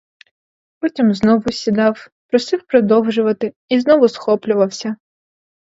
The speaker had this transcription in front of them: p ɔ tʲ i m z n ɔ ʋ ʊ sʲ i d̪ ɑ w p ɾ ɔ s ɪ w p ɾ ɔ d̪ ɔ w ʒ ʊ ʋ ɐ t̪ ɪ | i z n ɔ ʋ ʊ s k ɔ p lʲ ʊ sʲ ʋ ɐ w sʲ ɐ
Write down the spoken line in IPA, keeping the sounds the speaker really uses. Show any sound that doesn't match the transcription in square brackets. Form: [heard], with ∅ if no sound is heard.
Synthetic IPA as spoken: p ɔ tʲ i m z n ɔ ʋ ʊ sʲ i d̪ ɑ w p ɾ ɔ s ɪ w p ɾ ɔ d̪ ɔ w ʒ ʊ ʋ ɐ t̪ ɪ | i z n ɔ ʋ ʊ s [x] ɔ p lʲ ʊ [∅] ʋ ɐ w sʲ ɐ